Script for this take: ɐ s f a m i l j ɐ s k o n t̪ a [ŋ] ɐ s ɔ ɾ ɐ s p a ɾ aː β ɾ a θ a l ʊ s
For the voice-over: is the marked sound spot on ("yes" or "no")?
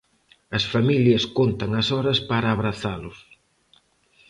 yes